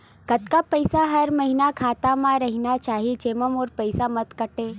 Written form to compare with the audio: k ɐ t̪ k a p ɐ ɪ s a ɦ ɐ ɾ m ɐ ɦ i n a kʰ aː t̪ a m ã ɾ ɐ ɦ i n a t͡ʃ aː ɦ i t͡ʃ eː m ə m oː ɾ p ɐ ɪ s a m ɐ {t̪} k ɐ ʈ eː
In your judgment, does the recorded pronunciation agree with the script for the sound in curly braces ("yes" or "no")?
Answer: yes